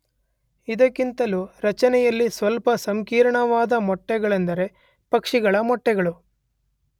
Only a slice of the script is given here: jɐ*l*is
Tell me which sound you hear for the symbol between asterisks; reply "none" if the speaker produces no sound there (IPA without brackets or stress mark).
lː